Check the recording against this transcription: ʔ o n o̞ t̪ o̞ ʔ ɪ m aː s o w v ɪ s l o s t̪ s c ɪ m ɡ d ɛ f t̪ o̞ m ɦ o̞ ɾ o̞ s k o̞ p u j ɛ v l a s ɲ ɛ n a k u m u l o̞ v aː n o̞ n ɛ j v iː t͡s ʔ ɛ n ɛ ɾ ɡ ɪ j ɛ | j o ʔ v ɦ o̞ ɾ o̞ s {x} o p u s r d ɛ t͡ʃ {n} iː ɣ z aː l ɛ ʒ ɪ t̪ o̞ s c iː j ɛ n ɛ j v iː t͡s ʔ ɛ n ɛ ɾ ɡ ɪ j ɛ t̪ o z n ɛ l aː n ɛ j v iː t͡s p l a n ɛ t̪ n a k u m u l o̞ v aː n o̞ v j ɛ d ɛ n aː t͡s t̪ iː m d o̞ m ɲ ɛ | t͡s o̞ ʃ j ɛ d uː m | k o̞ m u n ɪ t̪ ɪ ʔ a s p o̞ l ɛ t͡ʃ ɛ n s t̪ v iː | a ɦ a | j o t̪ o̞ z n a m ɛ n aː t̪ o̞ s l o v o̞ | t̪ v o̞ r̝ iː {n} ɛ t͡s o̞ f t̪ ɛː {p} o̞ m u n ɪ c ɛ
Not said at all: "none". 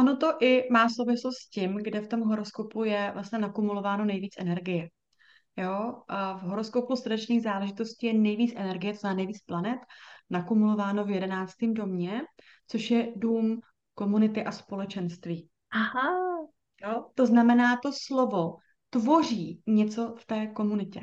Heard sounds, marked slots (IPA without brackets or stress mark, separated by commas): k, n, ɲ, k